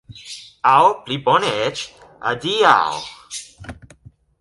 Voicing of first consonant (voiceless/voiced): voiced